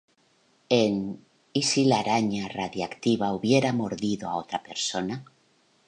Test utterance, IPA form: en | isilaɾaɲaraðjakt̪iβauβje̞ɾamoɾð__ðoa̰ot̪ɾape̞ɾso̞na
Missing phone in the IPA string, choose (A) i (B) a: A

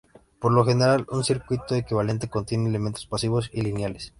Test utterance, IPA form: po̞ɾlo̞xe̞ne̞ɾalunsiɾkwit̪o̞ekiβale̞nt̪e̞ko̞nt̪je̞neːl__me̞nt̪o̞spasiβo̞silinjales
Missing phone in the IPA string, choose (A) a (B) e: B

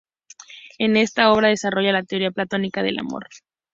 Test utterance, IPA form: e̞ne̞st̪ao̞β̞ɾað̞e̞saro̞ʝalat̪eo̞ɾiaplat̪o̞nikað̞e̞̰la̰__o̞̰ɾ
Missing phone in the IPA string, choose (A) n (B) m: B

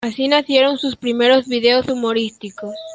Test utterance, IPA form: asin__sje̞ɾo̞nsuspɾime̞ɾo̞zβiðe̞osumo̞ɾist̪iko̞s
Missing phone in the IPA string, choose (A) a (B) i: A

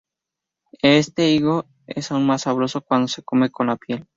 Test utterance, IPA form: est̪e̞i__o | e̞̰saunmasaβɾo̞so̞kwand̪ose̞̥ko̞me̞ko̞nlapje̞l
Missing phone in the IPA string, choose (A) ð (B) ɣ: B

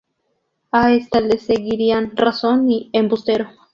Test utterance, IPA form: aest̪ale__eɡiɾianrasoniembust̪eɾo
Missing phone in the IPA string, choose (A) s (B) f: A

